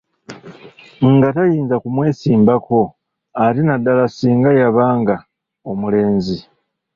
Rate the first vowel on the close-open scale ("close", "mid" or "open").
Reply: open